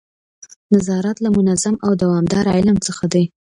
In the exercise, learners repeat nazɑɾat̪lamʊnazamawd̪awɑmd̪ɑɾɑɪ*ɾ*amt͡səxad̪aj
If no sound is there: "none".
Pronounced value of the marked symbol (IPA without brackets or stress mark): l